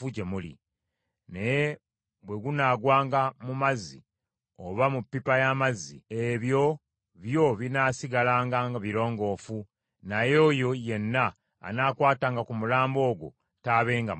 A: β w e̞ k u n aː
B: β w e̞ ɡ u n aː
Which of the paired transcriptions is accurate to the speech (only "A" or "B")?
B